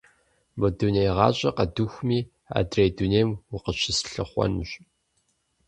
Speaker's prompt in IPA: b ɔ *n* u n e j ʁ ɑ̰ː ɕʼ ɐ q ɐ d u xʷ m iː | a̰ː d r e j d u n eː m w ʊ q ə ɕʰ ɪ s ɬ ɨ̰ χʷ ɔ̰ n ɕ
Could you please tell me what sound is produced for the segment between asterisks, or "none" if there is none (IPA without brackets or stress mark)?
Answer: d